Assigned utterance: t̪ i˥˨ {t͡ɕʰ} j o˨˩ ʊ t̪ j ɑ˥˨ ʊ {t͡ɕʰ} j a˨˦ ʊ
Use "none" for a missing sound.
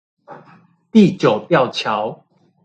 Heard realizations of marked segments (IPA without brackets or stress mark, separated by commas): t͡ɕ, t͡ɕʰ